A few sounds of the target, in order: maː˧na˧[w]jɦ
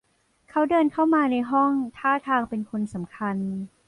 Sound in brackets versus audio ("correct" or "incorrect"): incorrect